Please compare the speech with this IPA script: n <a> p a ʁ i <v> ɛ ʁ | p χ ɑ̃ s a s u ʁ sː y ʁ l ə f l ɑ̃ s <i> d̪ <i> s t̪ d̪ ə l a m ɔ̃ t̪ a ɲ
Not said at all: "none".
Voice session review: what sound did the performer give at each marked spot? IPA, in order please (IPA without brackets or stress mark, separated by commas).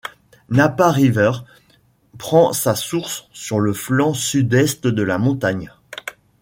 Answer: a, v, y, ɛ